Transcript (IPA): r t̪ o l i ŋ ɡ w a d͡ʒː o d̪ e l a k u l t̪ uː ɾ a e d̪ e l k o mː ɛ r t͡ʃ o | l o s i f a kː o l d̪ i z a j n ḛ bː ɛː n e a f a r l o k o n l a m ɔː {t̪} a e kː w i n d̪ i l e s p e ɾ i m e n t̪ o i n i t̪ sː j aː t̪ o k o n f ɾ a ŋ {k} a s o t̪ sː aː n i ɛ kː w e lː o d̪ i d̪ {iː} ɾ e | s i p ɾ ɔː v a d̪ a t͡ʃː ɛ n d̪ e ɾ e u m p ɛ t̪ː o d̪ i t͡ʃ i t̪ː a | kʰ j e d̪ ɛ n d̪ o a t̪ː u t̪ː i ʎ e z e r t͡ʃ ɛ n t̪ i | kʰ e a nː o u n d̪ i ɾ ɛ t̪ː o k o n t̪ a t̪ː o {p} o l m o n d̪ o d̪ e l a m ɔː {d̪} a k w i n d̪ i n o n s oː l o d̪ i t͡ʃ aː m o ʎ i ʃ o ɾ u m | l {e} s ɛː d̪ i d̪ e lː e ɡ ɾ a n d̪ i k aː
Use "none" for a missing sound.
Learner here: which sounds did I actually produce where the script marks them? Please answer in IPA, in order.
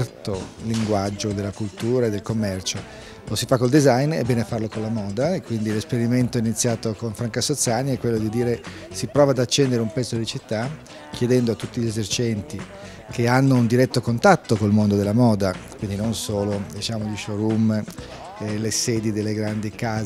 d̪, k, iː, k, d̪, e

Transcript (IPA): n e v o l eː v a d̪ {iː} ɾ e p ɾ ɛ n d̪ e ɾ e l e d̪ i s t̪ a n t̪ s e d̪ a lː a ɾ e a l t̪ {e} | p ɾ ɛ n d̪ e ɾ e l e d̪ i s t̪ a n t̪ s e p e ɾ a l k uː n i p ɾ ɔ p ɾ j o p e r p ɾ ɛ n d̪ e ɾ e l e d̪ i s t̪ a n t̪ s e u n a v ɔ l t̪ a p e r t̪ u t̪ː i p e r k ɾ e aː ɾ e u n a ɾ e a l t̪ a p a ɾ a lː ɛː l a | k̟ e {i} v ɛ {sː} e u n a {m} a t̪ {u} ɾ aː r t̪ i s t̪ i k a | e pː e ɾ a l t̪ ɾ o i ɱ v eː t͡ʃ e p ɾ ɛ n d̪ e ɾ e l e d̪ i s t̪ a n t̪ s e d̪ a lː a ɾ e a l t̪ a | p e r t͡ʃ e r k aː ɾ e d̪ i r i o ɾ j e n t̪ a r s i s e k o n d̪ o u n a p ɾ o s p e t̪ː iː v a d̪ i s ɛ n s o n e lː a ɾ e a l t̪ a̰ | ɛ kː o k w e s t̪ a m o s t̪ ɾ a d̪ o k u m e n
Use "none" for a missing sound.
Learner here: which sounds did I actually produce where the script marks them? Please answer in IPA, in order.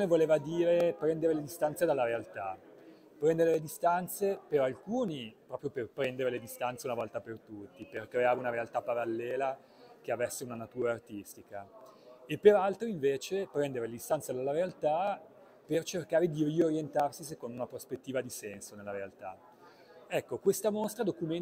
iː, a, a, sː, n, uː

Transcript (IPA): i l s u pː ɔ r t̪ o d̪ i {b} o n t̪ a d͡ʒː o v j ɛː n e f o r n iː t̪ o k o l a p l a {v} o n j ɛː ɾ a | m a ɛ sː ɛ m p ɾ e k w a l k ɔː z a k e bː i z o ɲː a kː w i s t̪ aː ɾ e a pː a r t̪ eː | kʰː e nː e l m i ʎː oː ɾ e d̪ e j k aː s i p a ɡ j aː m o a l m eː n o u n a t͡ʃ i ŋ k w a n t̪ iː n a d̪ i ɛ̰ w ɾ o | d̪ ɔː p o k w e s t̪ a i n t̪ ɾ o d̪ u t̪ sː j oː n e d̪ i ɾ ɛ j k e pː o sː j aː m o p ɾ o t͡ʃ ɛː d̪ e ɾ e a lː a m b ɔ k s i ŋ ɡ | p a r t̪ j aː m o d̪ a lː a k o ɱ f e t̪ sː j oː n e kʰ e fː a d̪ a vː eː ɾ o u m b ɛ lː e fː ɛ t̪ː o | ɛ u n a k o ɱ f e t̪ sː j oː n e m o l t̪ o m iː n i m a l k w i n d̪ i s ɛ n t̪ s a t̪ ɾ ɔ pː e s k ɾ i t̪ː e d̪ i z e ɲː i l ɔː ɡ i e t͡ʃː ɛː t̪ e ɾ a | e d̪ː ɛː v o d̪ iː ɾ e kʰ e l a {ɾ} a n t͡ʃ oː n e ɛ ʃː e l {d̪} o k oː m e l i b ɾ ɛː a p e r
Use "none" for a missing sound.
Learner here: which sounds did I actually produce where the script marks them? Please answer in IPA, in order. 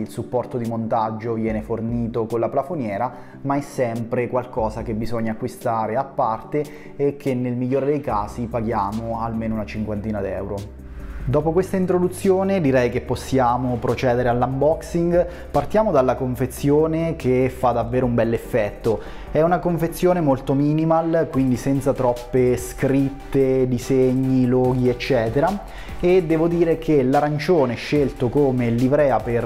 m, f, ɾ, t̪

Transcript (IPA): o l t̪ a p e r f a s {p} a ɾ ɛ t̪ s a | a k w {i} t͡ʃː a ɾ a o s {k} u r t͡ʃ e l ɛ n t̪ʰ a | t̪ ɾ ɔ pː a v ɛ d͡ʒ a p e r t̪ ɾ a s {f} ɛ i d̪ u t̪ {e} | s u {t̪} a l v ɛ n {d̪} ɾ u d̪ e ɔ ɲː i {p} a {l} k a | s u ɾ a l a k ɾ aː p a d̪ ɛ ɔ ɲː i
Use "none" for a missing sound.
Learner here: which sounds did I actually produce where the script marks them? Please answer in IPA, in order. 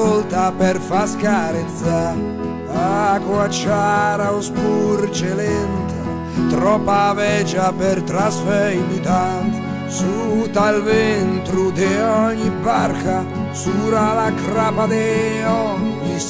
k, a, p, f, a, t̪, t̪, b, r

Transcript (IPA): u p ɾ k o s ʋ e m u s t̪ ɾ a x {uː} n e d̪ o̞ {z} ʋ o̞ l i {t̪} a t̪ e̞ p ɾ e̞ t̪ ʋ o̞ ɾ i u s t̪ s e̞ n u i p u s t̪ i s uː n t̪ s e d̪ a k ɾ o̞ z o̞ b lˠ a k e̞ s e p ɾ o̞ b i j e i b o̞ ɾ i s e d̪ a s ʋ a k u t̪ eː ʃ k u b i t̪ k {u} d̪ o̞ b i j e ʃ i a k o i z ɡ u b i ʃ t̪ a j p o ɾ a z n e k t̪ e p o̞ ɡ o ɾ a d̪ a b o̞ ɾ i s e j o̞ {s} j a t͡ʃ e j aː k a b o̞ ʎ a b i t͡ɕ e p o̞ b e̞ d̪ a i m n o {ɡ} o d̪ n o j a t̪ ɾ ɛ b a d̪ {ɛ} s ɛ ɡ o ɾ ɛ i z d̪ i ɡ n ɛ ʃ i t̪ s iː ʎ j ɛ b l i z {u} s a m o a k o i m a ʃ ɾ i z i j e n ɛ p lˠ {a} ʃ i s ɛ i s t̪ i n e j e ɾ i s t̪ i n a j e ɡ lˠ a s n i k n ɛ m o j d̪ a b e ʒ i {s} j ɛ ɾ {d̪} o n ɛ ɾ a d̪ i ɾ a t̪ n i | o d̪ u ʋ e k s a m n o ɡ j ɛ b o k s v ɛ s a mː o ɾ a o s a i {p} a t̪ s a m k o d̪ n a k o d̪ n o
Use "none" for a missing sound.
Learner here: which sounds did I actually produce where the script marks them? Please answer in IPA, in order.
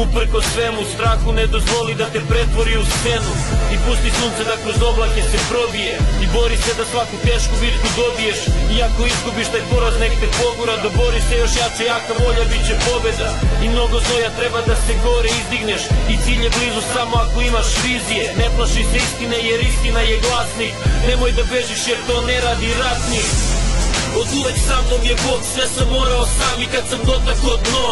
u, z, d̪, u, ʃ, ɡ, a, u, a, ʃ, t̪, k

